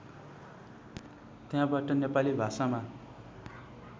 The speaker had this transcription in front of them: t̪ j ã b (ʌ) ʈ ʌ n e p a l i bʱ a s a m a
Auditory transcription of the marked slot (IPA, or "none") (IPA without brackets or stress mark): a